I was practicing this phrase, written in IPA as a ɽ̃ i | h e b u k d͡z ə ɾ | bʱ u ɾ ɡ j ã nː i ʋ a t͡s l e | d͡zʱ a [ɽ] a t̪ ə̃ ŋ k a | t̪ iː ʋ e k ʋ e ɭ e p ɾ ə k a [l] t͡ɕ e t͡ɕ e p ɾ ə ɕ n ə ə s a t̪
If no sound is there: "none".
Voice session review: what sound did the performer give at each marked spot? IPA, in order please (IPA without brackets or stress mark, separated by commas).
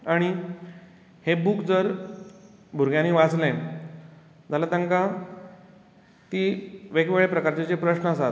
l, ɾ